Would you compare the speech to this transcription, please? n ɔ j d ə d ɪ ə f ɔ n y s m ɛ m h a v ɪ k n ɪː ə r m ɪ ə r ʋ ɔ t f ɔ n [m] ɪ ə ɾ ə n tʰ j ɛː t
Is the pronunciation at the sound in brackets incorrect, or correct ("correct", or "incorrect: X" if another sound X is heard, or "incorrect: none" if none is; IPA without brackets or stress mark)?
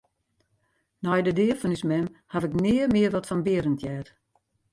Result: incorrect: b